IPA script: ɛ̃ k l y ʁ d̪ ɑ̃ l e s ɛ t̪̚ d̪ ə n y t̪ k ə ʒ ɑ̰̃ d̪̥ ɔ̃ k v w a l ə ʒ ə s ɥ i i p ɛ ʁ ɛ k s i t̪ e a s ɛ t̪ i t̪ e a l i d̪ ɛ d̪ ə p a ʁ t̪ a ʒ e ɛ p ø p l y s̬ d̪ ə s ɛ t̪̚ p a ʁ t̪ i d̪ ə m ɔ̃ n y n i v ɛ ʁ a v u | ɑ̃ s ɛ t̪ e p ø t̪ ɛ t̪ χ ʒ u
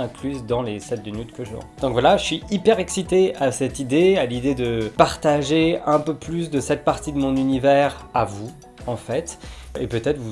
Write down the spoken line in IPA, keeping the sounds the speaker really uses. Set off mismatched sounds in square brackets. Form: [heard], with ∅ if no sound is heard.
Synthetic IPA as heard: ɛ̃ k l y [z] d̪ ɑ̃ l e s ɛ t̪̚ d̪ ə n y t̪ k ə ʒ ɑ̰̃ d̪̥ ɔ̃ k v w a l [a] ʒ ə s ɥ i i p ɛ ʁ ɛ k s i t̪ e a s ɛ t̪ i [d̪] e a l i d̪ [e] d̪ ə p a ʁ t̪ a ʒ e [ɛ̃] p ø p l y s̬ d̪ ə s ɛ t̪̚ p a ʁ t̪ i d̪ ə m ɔ̃ n y n i v ɛ ʁ a v u | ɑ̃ [f] ɛ t̪ e p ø t̪ ɛ t̪ χ [v] u